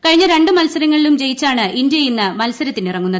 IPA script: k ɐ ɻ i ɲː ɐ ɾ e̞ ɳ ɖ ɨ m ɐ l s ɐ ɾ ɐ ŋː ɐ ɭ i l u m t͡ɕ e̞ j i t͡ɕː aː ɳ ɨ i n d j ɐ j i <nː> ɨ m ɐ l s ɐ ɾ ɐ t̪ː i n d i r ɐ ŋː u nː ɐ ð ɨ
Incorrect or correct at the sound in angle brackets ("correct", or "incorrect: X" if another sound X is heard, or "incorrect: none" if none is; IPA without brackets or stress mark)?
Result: correct